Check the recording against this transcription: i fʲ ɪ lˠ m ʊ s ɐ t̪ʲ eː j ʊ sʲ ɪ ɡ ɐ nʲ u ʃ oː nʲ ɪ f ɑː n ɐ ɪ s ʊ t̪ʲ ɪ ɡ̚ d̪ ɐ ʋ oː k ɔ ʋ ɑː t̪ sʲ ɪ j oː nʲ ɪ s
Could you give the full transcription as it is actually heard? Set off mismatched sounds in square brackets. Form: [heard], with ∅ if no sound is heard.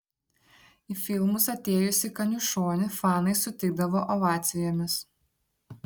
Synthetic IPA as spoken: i fʲ ɪ lˠ m ʊ s ɐ t̪ʲ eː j ʊ sʲ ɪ [k] ɐ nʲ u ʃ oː nʲ ɪ f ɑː n ɐ ɪ s ʊ t̪ʲ ɪ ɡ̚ d̪ ɐ ʋ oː [ʔ] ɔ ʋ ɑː t̪ sʲ ɪ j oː [mʲ] ɪ s